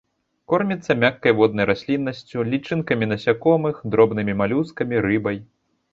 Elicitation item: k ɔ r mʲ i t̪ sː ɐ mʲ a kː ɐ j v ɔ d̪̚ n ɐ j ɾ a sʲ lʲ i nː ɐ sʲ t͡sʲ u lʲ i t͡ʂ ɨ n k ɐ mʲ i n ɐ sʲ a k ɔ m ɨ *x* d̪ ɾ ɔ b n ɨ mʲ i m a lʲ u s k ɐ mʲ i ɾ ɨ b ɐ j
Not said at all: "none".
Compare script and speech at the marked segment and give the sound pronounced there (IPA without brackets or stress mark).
x